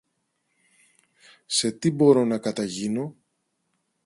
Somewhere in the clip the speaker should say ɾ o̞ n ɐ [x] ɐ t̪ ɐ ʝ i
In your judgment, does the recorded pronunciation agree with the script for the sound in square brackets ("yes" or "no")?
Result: no